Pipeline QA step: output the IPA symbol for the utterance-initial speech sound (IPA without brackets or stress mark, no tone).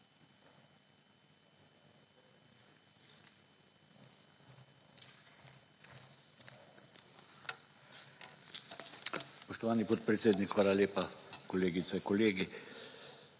s